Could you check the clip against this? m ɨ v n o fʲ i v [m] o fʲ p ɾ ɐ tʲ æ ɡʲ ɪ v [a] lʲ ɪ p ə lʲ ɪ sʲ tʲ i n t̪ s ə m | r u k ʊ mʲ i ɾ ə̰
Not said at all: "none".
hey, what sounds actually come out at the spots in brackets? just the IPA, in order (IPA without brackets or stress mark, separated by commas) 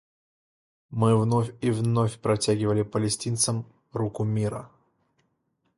n, ə